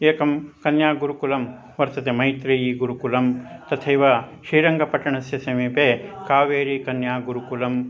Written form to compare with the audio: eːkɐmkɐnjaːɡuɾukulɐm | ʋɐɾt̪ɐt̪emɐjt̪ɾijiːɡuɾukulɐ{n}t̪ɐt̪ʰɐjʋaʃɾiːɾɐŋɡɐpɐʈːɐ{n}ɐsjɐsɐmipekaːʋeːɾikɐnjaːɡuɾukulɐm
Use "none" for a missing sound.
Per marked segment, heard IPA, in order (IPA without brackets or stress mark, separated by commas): m, ɳ